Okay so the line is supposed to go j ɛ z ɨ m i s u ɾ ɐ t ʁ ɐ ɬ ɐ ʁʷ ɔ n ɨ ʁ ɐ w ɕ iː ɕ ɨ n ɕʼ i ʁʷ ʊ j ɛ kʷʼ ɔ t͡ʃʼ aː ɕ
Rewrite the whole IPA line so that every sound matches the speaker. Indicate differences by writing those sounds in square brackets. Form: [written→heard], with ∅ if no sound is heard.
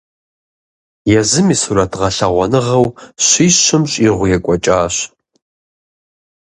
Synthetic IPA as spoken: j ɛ z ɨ m i s u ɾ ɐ t ʁ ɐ ɬ ɐ ʁʷ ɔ n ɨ ʁ ɐ w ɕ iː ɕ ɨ [n→m] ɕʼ i ʁʷ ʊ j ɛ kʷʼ ɔ t͡ʃʼ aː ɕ